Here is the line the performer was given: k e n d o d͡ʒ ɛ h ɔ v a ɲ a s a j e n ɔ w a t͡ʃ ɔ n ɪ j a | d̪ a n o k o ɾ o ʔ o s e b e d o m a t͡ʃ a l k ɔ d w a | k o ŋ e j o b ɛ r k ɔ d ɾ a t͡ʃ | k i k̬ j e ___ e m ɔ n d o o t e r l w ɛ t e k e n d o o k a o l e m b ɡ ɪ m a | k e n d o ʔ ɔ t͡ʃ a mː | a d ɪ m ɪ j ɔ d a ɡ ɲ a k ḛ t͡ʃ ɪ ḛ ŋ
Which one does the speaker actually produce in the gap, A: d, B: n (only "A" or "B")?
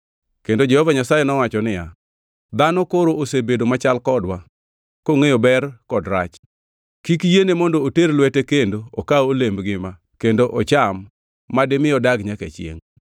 B